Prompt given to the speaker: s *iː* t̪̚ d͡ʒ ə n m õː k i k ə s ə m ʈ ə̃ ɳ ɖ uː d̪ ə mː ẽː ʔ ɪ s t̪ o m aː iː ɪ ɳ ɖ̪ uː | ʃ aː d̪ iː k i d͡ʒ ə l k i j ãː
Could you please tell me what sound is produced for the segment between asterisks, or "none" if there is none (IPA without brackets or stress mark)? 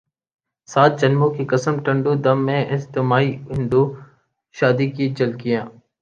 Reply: aː